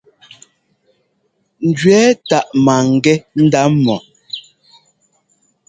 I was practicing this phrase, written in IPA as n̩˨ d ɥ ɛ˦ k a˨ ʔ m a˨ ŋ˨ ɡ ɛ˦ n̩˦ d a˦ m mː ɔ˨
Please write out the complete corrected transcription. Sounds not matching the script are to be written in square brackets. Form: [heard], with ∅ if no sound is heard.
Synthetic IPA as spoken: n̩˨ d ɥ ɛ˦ [t] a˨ ʔ m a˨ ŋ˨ ɡ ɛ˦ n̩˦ d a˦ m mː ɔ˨